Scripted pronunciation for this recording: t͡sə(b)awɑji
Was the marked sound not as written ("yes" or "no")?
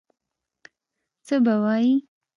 no